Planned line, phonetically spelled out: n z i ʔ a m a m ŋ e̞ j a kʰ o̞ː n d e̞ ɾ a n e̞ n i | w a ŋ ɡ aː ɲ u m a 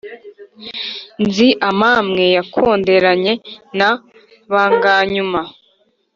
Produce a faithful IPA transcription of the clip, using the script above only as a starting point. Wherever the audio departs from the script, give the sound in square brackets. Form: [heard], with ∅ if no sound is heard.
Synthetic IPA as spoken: n z i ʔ a m a m ŋ e̞ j a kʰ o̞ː n d e̞ ɾ a [ɲ] e̞ n [a] | [β] a ŋ ɡ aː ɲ u m a